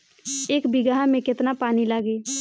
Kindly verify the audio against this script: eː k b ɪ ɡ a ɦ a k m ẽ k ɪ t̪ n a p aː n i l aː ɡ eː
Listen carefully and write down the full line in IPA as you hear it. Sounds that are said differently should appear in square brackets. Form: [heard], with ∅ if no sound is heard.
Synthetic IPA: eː k b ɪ ɡ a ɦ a [∅] m ẽ k ɪ t̪ n a p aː n i l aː ɡ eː

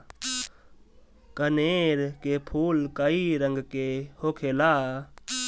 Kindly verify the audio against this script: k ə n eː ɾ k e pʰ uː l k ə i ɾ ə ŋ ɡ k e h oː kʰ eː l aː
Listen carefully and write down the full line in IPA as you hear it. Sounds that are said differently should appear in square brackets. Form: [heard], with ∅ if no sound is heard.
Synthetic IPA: k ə n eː ɾ k e pʰ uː l k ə i ɾ ə ŋ ɡ k e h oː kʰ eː l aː

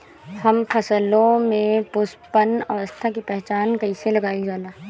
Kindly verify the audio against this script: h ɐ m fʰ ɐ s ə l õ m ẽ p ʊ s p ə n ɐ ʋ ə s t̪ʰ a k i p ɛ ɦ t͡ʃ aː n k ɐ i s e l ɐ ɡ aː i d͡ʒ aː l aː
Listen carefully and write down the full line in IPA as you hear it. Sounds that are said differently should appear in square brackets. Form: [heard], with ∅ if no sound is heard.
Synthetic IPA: h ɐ m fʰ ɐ s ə l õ m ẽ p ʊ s p ə n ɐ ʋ ə s t̪ʰ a k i p ɛ ɦ t͡ʃ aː n k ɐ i s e l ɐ ɡ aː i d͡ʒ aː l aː

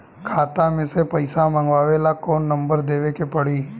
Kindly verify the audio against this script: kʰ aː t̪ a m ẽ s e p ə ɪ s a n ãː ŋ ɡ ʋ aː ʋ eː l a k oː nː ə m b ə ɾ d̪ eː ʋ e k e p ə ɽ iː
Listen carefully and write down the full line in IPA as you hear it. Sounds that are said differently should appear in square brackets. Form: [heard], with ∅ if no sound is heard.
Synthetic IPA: kʰ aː t̪ a m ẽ s e p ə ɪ s a [m] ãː ŋ ɡ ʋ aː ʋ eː l a k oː nː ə m b ə ɾ d̪ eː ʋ e k e p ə ɽ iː

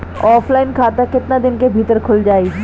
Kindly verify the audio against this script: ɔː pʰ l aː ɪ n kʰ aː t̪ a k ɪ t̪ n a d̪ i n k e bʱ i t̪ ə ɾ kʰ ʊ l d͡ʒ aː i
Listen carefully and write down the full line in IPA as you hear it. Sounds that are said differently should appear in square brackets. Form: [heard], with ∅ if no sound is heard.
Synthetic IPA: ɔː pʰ l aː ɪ n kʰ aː t̪ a k ɪ t̪ n a d̪ [ɪ] n k e bʱ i t̪ ə ɾ kʰ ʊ l d͡ʒ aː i

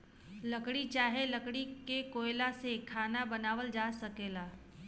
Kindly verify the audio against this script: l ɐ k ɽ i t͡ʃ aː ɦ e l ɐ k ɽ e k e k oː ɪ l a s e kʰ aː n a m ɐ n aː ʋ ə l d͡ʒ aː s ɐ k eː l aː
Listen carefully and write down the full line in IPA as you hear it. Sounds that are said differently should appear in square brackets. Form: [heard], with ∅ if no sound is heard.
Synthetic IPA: l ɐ k ɽ i t͡ʃ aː ɦ e l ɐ k ɽ [i] k e k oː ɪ l a s e kʰ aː n a [b] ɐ n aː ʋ ə l d͡ʒ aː s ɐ k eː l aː

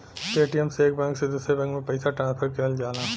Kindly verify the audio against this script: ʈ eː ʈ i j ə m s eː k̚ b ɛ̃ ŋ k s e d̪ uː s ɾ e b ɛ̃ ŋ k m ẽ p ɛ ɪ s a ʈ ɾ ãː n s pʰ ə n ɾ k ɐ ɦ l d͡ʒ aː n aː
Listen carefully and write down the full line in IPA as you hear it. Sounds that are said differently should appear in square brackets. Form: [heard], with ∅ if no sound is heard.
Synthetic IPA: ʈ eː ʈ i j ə m s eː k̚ b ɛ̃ ŋ k s e d̪ uː s ɾ e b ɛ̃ ŋ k m ẽ p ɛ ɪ s a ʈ ɾ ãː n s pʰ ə [∅] ɾ k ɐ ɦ l d͡ʒ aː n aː

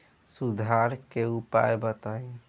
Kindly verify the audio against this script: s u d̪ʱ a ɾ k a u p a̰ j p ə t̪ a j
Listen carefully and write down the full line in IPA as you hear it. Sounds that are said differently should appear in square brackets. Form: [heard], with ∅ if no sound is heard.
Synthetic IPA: s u d̪ʱ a ɾ k [e] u p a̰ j [b] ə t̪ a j

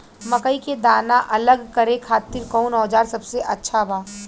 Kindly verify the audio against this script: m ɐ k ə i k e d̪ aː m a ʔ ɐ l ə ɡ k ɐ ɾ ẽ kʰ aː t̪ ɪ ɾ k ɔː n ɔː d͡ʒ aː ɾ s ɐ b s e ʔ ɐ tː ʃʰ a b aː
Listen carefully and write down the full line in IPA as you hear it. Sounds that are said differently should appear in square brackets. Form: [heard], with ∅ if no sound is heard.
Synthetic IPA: m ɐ k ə i k e d̪ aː [n] a ʔ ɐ l ə ɡ k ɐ ɾ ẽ kʰ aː t̪ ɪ ɾ k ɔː n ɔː d͡ʒ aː ɾ s ɐ b s e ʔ ɐ tː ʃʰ a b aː

